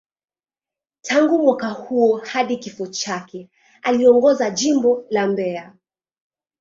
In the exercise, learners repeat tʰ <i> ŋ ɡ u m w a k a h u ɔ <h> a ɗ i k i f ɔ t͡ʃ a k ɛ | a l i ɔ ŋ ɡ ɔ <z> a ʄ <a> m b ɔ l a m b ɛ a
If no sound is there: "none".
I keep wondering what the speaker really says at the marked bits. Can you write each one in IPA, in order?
a, h, z, i

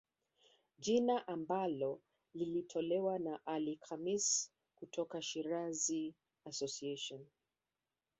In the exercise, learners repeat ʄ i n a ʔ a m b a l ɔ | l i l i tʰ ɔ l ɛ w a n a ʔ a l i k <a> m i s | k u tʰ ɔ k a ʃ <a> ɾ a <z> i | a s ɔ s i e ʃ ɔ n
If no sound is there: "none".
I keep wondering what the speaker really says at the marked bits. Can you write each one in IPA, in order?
a, i, z

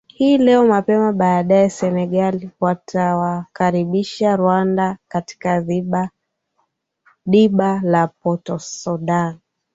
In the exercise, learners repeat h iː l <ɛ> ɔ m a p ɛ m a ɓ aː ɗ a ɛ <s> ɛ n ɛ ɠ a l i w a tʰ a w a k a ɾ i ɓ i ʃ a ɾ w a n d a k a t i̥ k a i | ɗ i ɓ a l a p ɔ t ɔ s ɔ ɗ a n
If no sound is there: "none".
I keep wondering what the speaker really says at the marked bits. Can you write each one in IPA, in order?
ɛ, s

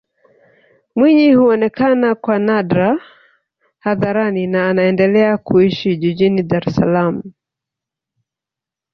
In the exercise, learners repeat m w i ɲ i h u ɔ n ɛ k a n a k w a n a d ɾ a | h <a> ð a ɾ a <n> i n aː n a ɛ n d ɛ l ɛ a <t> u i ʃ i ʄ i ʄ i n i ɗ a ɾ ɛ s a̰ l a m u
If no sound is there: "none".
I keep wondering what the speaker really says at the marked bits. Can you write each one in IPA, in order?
a, n, k

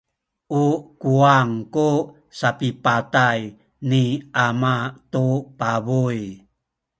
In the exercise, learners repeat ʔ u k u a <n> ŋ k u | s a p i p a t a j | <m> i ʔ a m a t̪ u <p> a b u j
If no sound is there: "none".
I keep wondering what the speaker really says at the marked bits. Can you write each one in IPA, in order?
none, n, p

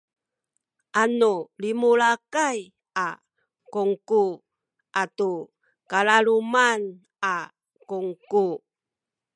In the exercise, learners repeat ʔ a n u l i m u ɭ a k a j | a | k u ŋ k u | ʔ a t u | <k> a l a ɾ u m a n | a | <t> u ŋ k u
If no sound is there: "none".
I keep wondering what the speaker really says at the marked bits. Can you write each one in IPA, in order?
k, k

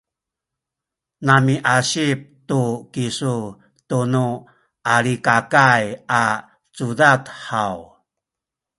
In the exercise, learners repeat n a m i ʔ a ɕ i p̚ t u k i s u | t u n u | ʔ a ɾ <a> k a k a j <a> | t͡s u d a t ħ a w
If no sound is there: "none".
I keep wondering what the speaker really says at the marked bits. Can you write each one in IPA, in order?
i, a

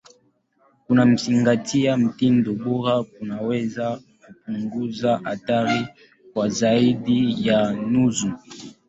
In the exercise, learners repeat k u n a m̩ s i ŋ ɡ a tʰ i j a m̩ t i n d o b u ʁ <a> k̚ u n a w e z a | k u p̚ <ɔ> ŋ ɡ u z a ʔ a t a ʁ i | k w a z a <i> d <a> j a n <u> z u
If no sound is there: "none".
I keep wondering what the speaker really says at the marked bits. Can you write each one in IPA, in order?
a, u, i, i, u

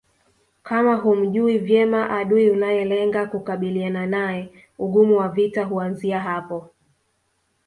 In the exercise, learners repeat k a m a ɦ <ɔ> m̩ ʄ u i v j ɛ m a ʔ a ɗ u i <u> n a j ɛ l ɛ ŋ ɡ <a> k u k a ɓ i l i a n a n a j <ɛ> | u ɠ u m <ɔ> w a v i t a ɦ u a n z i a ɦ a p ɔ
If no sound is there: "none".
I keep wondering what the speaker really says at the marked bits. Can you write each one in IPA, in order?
u, u, a, ɛ, u

